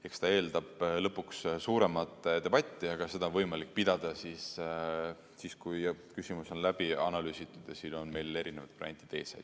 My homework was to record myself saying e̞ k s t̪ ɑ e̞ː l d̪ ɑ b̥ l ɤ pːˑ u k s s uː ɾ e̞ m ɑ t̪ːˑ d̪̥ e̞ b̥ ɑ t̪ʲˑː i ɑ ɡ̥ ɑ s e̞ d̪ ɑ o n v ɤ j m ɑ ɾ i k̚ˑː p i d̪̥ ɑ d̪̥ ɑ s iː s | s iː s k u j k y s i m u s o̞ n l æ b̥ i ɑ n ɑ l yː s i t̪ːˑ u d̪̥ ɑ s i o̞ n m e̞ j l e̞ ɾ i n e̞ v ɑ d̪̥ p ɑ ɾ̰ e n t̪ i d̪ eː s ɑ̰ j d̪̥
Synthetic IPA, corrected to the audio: e̞ k s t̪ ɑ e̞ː l d̪ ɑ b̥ l ɤ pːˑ u k s s uː ɾ e̞ m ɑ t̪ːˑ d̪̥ e̞ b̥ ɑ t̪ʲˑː i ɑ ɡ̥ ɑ s e̞ d̪ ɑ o n v ɤ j m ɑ l i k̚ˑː p i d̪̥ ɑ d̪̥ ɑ s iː s | s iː s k u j k y s i m u s o̞ n l æ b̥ i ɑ n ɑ l yː s i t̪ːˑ u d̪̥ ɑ s i o̞ n m e̞ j l e̞ ɾ i n e̞ v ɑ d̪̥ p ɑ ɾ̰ e n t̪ i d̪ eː s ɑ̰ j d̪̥